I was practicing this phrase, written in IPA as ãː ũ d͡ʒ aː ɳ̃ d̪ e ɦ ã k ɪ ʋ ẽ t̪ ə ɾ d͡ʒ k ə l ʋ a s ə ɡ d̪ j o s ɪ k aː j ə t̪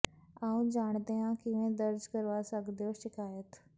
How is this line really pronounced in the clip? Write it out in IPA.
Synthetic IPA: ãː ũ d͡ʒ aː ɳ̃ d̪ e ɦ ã k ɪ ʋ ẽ d̪ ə ɾ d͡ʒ k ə ɾ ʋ a s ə ɡ d̪ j o ʃ ɪ k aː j ə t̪